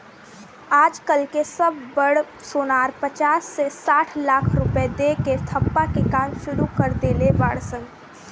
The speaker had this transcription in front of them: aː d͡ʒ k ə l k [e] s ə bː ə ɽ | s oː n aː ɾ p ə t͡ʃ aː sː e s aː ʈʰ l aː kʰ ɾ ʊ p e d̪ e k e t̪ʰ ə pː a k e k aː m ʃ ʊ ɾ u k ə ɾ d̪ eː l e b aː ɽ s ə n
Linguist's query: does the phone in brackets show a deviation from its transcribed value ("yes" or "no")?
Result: no